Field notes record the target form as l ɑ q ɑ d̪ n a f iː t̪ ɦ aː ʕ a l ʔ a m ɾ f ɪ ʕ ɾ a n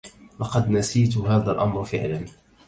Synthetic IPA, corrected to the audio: l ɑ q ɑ d̪ n a s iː t̪ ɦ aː ð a l ʔ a m ɾ f ɪ ʕ l a n